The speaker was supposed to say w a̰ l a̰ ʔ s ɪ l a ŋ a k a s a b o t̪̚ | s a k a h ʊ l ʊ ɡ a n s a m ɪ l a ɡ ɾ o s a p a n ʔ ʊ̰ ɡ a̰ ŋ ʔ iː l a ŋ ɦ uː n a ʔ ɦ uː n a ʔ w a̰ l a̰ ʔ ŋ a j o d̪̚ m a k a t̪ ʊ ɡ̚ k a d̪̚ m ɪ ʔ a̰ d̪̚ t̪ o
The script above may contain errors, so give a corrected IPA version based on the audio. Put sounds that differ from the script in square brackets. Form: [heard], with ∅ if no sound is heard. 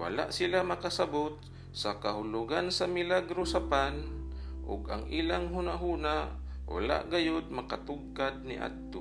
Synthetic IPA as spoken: w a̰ l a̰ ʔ s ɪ l a [m] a k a s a b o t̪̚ | s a k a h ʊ l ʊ ɡ a n s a m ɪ l a ɡ ɾ o s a p a n ʔ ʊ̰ ɡ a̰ ŋ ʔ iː l a ŋ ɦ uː n a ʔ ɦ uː n a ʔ w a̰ l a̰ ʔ [ɡ] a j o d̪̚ m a k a t̪ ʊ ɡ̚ k a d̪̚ [n] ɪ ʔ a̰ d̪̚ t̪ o